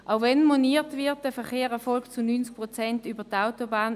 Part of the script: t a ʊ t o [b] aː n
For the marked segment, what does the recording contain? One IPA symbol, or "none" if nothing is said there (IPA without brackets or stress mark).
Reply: b